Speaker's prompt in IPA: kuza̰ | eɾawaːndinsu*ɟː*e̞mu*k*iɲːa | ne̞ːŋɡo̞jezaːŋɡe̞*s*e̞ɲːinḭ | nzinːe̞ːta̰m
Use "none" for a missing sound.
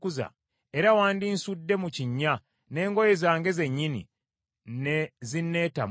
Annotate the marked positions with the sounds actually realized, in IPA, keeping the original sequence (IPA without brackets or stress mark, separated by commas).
dː, c, z